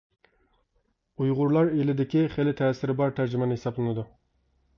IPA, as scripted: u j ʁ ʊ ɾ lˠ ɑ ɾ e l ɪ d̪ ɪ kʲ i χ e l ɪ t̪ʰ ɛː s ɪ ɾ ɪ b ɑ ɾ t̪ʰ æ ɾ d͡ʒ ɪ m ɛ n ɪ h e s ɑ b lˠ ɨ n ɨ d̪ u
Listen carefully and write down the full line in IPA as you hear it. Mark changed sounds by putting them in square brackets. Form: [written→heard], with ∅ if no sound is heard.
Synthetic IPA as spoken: u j ʁ ʊ ɾ lˠ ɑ ɾ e l ɪ d̪ ɪ kʲ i χ e l ɪ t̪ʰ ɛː s ɪ ɾ ɪ b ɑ ɾ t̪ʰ æ ɾ d͡ʒ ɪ m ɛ n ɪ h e s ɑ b lˠ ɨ n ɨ d̪ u